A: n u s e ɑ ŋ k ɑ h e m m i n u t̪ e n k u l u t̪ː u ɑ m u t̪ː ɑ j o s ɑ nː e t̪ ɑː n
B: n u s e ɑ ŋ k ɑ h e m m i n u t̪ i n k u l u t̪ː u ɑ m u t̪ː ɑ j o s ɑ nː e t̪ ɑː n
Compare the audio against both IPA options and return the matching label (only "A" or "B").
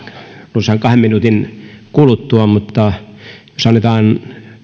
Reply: B